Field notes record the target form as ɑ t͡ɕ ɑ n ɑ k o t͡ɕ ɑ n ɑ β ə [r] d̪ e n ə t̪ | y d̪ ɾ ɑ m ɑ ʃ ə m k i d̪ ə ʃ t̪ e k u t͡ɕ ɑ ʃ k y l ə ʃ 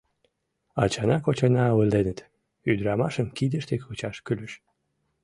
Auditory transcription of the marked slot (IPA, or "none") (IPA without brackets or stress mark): l